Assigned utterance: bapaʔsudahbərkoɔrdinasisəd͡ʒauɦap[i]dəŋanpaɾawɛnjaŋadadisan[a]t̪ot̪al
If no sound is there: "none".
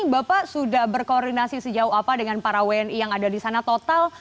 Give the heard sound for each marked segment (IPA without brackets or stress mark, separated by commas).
a, a